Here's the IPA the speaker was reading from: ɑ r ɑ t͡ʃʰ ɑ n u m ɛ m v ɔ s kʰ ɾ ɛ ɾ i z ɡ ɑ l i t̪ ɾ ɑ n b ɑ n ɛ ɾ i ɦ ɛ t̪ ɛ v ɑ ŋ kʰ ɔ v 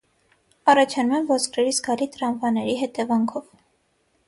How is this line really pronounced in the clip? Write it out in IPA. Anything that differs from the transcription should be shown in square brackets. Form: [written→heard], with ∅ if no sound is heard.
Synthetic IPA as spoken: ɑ r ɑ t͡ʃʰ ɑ n u m ɛ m v ɔ s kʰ ɾ ɛ ɾ i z ɡ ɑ l i t̪ ɾ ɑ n [b→v] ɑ n ɛ ɾ i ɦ ɛ t̪ ɛ v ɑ ŋ kʰ ɔ v